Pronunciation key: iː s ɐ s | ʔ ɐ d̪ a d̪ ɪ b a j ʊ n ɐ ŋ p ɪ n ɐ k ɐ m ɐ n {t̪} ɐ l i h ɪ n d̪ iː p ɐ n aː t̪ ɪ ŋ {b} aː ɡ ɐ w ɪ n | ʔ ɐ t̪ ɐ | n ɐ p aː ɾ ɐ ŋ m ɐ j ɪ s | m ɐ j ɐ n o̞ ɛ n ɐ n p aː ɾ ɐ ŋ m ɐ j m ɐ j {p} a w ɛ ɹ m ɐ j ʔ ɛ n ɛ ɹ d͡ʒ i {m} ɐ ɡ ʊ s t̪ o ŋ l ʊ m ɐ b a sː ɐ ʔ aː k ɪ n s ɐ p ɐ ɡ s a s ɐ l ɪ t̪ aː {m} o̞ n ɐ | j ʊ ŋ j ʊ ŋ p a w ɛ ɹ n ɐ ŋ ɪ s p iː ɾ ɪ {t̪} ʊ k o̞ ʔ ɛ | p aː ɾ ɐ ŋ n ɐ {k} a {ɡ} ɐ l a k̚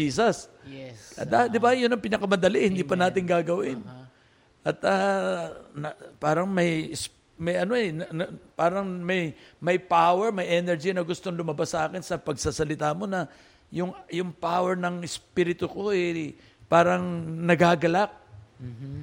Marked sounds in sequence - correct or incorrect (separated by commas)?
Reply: incorrect, incorrect, correct, incorrect, correct, correct, incorrect, correct